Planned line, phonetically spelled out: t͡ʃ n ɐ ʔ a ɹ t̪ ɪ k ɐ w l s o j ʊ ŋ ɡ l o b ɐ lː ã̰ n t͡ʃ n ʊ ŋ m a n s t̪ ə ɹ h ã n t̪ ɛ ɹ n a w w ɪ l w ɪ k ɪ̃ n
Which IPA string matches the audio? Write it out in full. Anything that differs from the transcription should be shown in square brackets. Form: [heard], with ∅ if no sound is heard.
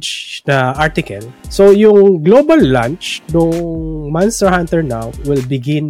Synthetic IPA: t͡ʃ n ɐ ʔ a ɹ t̪ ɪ k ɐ [∅] l s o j ʊ ŋ ɡ l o b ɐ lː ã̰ n t͡ʃ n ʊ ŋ m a n s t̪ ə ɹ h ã n t̪ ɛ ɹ n a w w ɪ l [b] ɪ [ɡ] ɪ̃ n